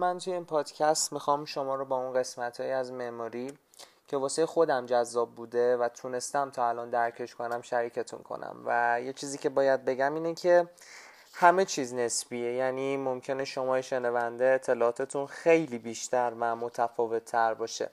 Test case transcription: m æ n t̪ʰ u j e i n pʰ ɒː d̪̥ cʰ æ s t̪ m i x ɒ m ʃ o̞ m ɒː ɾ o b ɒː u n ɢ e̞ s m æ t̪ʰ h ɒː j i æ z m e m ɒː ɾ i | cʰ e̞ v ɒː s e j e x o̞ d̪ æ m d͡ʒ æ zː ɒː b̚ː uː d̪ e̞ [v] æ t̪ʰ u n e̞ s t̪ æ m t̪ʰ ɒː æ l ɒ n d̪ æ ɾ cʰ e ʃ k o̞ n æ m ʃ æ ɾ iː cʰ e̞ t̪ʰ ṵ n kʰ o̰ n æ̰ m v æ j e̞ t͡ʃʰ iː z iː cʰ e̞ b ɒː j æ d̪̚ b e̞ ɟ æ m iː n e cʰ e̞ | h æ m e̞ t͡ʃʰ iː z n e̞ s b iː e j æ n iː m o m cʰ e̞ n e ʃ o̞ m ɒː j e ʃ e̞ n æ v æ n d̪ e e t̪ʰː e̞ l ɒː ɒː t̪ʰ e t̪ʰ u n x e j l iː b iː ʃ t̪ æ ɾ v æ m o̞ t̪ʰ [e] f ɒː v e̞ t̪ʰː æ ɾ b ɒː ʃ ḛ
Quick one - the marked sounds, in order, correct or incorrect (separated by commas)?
correct, incorrect